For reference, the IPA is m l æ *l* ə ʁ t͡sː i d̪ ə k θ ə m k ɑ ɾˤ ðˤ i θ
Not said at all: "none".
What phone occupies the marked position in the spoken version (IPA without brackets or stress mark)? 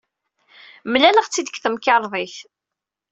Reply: l